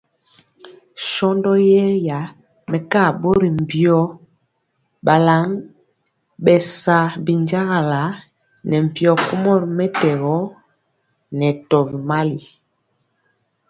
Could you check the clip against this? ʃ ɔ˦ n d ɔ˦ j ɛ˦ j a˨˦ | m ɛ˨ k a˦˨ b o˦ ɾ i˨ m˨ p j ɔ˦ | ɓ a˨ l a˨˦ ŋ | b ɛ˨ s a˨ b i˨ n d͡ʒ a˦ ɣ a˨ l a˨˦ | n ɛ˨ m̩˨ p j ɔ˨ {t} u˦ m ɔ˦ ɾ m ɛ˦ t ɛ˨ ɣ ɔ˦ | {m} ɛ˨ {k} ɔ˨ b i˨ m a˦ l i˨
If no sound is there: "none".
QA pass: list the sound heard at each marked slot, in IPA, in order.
k, n, t

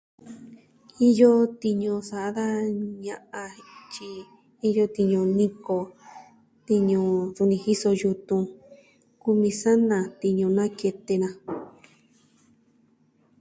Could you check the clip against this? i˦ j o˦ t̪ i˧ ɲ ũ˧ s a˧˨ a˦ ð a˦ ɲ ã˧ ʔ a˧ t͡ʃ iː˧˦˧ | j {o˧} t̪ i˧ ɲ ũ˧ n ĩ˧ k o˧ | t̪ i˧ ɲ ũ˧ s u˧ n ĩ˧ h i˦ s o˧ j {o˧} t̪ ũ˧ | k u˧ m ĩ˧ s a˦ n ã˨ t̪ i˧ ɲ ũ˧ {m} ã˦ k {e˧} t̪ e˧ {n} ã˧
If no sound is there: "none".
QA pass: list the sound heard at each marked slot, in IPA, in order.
o˧, u˧, n, e˧, n

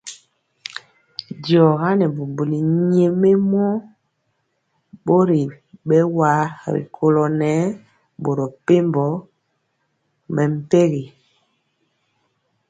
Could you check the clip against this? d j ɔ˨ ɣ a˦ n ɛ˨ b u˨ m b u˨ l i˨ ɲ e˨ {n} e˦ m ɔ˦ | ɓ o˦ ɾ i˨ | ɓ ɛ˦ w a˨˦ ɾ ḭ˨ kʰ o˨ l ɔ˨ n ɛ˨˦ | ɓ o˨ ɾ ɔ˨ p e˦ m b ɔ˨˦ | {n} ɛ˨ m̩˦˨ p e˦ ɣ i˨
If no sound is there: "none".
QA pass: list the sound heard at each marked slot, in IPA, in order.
m, m

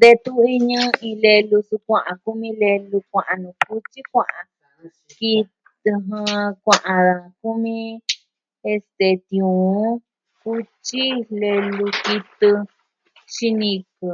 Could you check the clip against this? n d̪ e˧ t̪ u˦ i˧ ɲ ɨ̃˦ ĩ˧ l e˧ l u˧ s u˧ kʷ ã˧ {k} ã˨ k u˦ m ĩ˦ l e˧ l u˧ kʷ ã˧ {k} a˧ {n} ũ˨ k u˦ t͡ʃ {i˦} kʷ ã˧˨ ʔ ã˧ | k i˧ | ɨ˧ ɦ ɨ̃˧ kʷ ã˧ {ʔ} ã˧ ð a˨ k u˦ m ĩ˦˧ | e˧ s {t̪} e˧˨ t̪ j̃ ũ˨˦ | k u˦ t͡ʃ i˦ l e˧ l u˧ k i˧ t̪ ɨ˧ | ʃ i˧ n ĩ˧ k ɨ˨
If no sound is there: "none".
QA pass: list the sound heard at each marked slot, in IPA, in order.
ʔ, ʔ, n, i˦, ʔ, t̪

